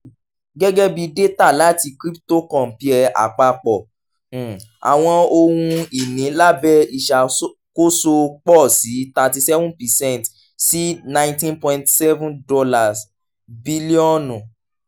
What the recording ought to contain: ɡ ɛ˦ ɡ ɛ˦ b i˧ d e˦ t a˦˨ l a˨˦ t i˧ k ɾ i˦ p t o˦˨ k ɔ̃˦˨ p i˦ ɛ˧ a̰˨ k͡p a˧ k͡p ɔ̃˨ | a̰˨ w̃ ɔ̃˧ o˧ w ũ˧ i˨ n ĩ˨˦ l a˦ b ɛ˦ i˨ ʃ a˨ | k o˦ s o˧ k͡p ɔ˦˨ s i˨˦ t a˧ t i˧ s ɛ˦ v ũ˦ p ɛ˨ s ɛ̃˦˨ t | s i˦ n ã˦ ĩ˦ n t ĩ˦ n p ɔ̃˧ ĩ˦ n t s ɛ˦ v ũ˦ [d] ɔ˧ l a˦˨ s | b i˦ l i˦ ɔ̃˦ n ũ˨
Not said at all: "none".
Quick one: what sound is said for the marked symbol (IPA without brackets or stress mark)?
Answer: d